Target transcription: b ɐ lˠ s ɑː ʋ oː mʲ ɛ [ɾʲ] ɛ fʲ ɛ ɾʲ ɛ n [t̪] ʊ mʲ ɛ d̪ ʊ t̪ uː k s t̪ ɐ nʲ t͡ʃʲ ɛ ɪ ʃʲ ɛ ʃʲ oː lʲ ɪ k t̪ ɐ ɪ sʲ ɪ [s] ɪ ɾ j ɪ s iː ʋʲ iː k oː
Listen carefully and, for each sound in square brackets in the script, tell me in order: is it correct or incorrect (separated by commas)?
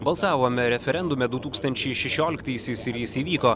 correct, incorrect, correct